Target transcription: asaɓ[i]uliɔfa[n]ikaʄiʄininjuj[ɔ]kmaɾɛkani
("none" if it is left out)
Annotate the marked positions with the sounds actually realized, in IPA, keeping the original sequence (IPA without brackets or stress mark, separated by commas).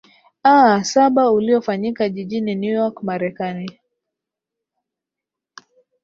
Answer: a, ɲ, ɔ